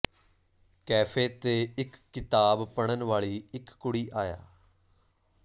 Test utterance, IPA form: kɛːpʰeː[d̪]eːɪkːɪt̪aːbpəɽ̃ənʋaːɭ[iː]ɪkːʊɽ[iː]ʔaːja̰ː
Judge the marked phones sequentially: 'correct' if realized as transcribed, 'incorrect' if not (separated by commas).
incorrect, correct, correct